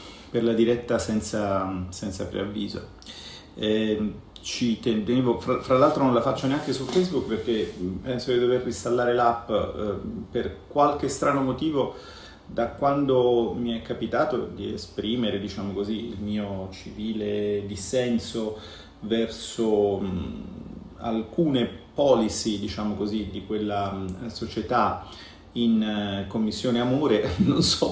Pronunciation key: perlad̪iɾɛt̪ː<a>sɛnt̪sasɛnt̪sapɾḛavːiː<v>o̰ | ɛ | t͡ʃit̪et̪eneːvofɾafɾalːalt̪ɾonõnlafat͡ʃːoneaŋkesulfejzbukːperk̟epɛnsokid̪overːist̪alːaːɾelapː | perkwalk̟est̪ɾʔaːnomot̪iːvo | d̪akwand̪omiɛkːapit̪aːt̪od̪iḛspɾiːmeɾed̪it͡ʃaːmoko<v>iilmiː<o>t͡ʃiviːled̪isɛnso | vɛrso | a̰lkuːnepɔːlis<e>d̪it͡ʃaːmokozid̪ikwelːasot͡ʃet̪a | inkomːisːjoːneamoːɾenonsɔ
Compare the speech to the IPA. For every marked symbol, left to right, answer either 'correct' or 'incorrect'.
correct, incorrect: z, incorrect: z, correct, incorrect: i

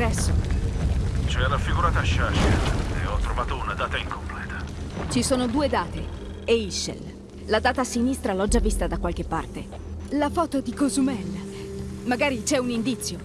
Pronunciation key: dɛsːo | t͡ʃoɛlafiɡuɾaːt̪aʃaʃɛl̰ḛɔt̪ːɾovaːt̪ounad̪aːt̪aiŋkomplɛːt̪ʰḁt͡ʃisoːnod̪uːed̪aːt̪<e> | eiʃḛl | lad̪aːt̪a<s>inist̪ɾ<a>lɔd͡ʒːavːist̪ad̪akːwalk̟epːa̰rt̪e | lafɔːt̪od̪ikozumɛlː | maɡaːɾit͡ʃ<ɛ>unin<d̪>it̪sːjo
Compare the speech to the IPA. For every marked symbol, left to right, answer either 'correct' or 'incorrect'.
correct, correct, correct, correct, correct

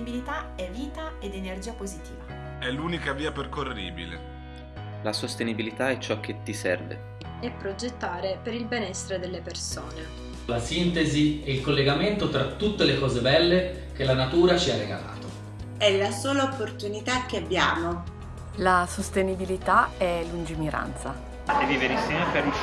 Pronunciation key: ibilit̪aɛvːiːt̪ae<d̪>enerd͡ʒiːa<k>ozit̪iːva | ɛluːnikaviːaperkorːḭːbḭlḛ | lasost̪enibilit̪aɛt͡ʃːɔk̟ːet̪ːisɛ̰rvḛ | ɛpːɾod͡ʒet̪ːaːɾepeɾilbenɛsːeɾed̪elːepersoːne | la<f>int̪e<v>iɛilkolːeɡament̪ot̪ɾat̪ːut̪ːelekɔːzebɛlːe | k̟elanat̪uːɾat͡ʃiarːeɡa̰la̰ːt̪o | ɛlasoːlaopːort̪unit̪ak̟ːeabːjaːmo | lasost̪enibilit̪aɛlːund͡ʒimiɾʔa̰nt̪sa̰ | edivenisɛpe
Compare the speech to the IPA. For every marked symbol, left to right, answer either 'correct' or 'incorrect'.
correct, incorrect: p, incorrect: s, incorrect: z

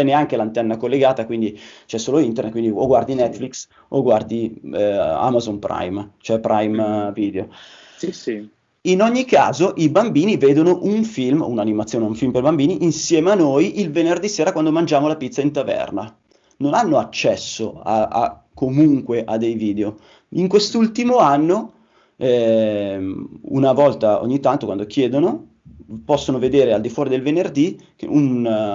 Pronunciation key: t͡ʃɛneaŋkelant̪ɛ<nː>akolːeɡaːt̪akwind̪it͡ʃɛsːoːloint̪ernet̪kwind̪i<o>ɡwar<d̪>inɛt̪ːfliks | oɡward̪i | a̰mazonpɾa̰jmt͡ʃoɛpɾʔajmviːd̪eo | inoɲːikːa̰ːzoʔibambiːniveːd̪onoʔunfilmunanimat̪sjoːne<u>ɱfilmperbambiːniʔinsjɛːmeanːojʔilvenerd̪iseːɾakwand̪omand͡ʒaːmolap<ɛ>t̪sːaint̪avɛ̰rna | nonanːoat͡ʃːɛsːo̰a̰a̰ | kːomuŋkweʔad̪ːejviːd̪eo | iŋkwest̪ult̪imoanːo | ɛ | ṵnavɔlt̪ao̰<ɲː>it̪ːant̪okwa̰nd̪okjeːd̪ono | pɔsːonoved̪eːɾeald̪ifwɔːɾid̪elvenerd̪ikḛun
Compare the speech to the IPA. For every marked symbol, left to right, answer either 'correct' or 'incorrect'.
correct, correct, correct, correct, incorrect: i, correct

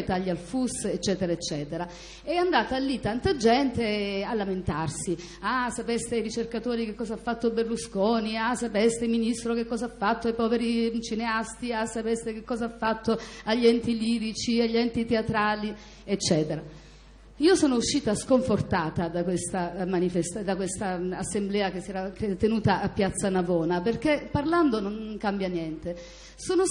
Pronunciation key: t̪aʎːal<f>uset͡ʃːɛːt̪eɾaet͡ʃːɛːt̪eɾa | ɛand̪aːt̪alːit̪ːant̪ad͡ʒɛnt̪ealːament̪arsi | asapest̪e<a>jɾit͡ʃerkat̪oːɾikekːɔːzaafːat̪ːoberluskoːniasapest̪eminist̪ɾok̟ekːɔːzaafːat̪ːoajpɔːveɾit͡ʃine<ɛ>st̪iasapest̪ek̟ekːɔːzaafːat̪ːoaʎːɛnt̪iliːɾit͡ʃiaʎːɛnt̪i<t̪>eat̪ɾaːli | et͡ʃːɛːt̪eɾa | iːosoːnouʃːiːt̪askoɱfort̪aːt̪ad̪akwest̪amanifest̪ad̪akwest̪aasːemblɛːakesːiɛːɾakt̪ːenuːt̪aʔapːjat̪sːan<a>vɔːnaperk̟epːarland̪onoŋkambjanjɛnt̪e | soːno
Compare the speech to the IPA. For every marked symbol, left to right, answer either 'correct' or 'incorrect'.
correct, correct, incorrect: a, correct, correct

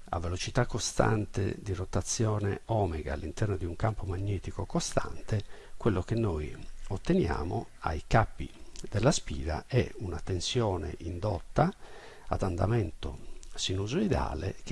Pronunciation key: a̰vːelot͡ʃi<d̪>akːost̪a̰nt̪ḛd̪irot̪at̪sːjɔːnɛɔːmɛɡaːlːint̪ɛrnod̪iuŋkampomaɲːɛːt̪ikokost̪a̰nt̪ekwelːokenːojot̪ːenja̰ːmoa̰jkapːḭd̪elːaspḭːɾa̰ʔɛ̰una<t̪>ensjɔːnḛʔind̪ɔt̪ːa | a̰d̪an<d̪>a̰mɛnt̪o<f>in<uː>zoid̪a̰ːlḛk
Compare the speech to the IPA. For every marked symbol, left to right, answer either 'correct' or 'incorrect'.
incorrect: t̪, correct, correct, incorrect: s, incorrect: u

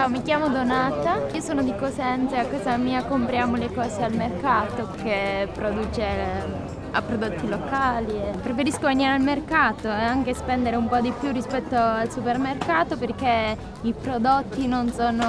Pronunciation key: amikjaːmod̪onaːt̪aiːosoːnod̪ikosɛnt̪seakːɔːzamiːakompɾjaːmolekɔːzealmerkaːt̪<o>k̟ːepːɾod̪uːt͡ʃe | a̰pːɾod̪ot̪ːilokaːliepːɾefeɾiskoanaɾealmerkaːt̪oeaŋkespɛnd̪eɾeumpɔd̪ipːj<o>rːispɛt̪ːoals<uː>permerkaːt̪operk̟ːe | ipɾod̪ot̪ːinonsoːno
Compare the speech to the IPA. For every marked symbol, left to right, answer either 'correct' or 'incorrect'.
correct, incorrect: u, incorrect: u

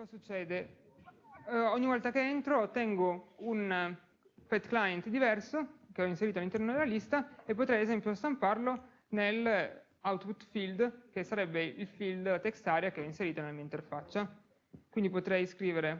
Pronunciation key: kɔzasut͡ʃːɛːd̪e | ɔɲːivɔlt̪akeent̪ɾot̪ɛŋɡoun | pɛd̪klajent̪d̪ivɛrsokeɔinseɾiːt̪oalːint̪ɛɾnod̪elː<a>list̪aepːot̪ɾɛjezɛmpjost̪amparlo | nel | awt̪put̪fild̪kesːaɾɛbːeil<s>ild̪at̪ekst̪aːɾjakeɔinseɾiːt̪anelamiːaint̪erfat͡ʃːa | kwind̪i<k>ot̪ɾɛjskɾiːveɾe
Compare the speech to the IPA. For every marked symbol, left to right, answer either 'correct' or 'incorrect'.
correct, incorrect: f, incorrect: p

